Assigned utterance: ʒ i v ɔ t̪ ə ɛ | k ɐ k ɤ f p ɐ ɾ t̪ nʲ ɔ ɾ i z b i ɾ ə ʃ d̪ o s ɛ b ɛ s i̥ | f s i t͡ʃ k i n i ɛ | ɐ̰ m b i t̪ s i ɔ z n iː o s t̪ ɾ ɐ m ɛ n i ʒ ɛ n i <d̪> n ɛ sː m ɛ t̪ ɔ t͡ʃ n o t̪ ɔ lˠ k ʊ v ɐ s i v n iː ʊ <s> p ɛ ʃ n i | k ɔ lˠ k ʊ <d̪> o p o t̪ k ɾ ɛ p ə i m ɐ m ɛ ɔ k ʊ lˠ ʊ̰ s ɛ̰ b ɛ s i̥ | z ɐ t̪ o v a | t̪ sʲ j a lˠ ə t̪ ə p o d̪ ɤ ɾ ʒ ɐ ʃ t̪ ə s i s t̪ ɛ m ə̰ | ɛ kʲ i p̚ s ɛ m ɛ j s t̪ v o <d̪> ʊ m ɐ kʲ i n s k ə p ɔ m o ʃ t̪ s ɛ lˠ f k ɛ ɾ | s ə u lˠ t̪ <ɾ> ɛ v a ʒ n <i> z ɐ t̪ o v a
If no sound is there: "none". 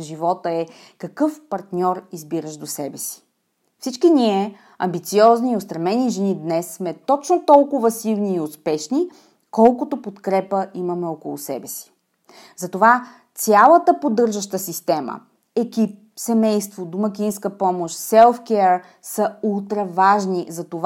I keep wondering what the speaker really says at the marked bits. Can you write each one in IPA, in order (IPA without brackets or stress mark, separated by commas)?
d̪, s, t̪, d̪, ɾ, i